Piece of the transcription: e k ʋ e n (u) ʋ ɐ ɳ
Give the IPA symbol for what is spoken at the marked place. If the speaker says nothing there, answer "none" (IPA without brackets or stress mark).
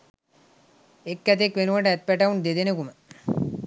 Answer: u